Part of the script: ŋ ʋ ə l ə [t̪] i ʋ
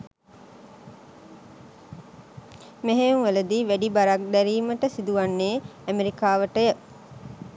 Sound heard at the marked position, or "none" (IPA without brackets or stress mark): d̪